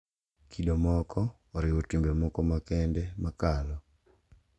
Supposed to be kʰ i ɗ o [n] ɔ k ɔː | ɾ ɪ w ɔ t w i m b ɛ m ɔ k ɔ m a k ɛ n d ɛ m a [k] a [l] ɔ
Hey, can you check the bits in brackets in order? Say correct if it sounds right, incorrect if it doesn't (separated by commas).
incorrect, correct, correct